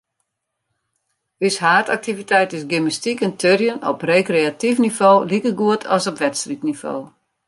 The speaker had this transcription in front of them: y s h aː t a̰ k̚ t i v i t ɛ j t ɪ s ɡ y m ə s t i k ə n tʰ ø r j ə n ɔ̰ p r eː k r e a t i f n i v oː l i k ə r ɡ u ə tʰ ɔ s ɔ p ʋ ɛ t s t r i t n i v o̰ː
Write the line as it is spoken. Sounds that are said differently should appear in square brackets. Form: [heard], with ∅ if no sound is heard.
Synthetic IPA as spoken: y s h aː t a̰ k̚ t i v i t ɛ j t ɪ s ɡ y m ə s t i k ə n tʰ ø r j ə n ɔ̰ p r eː k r e a t i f n i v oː l i k ə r ɡ u ə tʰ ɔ s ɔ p ʋ ɛ t s t r i t n i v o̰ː

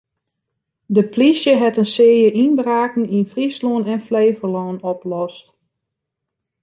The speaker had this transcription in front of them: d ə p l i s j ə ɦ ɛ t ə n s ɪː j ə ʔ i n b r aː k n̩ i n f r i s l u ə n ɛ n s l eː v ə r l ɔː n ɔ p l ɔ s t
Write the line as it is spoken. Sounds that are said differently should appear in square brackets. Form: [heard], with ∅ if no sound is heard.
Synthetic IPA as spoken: d ə p l i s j ə ɦ ɛ t ə n s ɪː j ə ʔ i n b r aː k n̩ i n f r i s l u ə n ɛ n [f] l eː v ə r l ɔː n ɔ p l ɔ s t

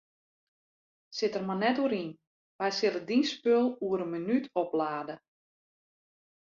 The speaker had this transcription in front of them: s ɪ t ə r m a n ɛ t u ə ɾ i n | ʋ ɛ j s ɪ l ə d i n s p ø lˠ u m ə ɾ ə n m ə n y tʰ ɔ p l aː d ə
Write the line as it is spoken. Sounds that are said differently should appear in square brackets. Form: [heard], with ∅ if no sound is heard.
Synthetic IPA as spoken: s ɪ t ə r m a n ɛ t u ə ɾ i n | ʋ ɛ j s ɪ l ə d i n s p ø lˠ u [∅] ə ɾ ə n m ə n y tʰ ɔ p l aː d ə

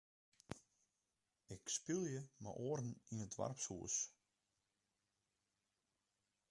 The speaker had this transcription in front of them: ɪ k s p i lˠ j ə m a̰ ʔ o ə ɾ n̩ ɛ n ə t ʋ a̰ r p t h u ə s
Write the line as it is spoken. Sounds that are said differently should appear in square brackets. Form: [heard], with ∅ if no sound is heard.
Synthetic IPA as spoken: ɪ k s p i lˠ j ə m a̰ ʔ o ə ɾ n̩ [i] n ə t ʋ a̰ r p [s] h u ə s

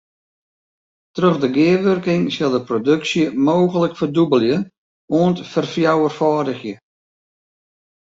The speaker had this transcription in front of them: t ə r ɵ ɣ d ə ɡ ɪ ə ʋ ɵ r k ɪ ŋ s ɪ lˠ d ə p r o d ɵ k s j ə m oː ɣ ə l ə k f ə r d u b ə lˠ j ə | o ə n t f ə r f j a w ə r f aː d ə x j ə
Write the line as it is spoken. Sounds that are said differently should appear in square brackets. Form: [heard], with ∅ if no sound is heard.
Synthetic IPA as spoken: t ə r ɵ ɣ d ə ɡ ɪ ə ʋ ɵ r k ɪ ŋ s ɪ lˠ d ə p r o d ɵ k s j ə m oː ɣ ə l ə k f ə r d u b ə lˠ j ə | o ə n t f ə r f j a w ə r f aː d ə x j ə

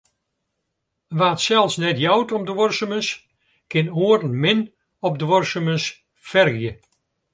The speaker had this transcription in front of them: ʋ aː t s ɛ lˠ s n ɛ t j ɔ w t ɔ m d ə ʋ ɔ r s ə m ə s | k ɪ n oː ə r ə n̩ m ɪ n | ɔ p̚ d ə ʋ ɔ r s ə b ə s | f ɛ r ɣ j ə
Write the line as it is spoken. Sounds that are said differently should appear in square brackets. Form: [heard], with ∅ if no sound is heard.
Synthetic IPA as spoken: ʋ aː t s ɛ lˠ s n ɛ t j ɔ w t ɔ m d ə ʋ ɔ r s ə m ə s | k ɪ n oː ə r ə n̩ m ɪ n | ɔ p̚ d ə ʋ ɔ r s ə [m] ə s | f ɛ r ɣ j ə

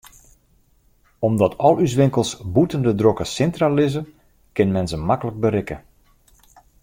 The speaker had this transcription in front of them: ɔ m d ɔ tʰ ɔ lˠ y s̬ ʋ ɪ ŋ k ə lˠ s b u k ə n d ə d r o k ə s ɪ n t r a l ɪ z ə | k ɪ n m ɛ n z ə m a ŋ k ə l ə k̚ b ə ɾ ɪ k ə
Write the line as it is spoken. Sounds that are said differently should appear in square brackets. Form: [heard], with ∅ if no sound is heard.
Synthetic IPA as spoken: ɔ m d ɔ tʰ ɔ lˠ y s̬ ʋ ɪ ŋ k ə lˠ s b u [t] ə n d ə d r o k ə s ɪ n t r a l ɪ z ə | k ɪ n m ɛ n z ə m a [∅] k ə l ə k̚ b ə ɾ ɪ k ə

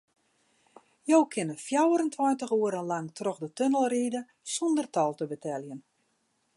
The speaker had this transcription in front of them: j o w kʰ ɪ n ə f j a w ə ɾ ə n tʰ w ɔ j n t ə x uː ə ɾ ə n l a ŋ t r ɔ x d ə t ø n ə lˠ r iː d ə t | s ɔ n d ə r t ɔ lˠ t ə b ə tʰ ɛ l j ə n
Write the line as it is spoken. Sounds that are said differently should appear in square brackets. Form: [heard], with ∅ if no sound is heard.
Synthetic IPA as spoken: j o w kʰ ɪ n ə f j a w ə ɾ ə n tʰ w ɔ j n t ə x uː ə ɾ ə n l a ŋ t r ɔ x d ə t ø n ə lˠ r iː d ə [∅] | s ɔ n d ə r t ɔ lˠ t ə b ə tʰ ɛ l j ə n

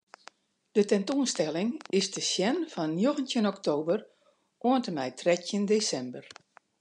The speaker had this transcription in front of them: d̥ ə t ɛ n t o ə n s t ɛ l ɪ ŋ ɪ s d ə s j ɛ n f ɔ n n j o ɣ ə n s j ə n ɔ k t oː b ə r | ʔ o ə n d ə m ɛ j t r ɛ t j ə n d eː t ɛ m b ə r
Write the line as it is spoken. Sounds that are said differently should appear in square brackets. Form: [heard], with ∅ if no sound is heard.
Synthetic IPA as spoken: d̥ ə t ɛ n t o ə n s t ɛ l ɪ ŋ ɪ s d ə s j ɛ n f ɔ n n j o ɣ ə n [t] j ə n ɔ k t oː b ə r | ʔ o ə n [t] ə m ɛ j t r ɛ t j ə n d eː [s] ɛ m b ə r

